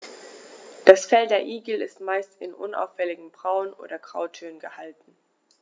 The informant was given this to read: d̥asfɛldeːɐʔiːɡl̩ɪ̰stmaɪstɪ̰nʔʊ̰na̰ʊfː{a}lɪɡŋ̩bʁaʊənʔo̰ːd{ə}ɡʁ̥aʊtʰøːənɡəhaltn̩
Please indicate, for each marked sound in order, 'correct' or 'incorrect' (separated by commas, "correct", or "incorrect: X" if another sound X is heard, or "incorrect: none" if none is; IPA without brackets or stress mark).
incorrect: ɛ, incorrect: ɐ